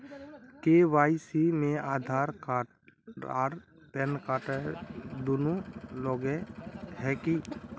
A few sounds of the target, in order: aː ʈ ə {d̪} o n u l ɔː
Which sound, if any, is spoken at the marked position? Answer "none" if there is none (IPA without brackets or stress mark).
d̪